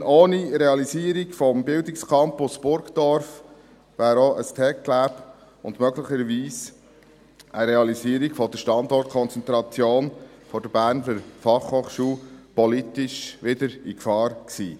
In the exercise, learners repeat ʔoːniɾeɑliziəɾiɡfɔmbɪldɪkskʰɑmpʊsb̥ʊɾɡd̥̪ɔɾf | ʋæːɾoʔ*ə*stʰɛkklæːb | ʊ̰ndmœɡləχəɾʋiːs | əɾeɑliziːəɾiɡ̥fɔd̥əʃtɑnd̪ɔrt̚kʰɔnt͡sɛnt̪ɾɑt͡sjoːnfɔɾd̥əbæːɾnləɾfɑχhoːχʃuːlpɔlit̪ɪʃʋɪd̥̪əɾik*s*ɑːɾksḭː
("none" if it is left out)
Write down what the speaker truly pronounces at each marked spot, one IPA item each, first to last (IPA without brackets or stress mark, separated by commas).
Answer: ə, f